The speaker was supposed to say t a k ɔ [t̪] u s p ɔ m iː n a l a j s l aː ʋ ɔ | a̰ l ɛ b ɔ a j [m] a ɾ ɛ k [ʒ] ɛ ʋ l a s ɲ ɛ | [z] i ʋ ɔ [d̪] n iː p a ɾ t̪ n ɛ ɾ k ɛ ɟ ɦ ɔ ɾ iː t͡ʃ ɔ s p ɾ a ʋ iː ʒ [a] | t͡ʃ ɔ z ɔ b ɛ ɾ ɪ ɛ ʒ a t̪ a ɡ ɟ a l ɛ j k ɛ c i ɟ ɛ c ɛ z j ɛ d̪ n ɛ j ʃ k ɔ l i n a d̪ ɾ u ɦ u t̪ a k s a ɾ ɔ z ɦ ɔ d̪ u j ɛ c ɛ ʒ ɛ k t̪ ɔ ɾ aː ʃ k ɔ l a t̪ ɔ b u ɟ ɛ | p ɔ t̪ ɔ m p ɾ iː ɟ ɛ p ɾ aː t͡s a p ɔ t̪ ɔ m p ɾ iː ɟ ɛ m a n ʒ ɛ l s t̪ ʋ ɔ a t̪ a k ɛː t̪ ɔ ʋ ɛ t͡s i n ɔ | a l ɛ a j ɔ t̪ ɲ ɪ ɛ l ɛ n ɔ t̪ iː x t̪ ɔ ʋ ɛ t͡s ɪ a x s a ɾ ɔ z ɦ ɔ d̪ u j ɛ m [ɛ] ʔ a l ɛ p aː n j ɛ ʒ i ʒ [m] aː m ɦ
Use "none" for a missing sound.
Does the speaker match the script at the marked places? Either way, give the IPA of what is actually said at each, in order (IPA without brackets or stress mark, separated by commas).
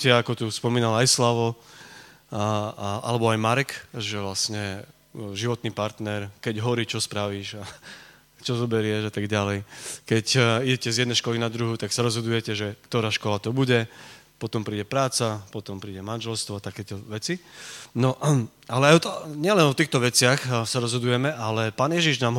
t̪, m, ʒ, ʒ, t̪, a, ɛ, n